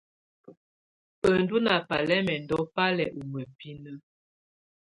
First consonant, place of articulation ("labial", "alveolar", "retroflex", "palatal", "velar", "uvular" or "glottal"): alveolar